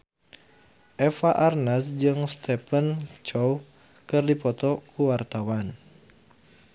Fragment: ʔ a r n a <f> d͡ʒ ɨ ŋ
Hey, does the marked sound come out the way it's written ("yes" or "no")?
no